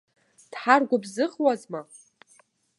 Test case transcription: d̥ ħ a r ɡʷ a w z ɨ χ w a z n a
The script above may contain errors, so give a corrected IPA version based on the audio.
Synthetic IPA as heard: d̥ ħ a r ɡʷ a b z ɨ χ w a z m a